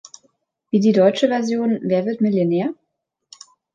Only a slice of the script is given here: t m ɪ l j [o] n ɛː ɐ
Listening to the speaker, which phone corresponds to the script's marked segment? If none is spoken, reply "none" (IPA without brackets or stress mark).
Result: o